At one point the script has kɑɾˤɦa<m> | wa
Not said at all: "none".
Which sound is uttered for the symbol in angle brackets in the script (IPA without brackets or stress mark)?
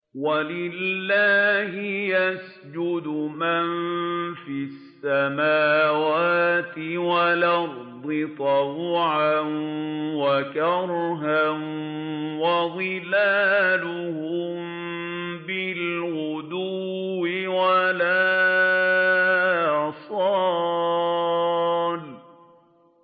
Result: n